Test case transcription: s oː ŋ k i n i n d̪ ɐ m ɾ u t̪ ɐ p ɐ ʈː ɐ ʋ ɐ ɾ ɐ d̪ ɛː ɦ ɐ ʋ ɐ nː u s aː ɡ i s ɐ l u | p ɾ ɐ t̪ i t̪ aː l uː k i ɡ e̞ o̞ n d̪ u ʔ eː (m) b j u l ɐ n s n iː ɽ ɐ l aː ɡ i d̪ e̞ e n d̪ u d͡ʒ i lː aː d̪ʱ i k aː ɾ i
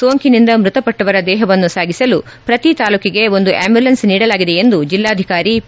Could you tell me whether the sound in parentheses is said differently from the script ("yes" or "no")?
no